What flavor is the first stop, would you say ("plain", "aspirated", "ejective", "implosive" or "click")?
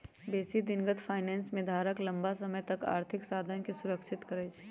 plain